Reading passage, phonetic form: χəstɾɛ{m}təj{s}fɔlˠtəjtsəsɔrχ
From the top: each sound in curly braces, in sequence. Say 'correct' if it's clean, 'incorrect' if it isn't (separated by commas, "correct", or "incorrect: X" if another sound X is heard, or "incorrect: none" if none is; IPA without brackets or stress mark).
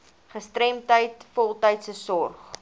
correct, incorrect: t